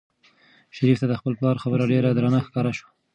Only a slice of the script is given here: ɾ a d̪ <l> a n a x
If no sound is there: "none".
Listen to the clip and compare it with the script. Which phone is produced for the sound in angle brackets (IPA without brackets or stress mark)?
ɾ